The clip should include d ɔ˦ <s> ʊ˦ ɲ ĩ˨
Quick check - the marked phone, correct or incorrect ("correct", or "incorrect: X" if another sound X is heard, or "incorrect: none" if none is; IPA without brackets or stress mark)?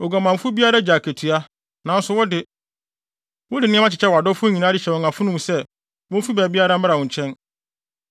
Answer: incorrect: f